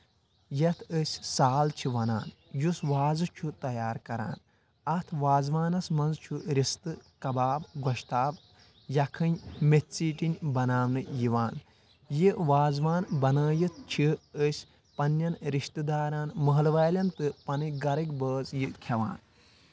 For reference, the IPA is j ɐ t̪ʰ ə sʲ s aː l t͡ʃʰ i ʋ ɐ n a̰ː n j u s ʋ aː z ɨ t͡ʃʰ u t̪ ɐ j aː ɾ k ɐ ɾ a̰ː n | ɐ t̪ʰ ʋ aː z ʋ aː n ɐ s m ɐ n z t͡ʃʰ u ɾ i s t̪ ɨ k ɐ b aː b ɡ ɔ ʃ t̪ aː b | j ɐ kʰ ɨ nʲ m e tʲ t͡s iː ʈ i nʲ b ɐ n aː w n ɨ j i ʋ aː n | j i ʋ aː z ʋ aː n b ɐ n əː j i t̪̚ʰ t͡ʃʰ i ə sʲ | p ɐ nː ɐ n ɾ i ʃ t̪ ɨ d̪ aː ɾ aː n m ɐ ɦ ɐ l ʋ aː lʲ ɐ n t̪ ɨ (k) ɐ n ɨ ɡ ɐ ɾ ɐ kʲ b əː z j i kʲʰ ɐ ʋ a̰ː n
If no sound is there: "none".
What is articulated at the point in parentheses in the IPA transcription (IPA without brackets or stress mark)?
p